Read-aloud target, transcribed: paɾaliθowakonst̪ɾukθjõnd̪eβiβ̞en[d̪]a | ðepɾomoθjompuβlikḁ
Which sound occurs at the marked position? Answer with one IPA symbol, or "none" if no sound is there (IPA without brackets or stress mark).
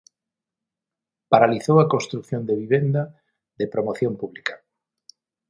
d̪